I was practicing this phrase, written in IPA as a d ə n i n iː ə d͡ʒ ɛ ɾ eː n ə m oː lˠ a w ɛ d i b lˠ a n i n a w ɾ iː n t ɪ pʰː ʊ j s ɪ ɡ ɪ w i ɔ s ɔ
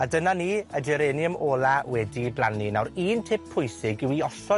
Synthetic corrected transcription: a d ə n a n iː ə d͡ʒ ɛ ɾ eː n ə m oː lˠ a w ɛ d i b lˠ a n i n a w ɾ iː n tʰ ɪ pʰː ʊ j s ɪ ɡ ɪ w i ɔ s ɔ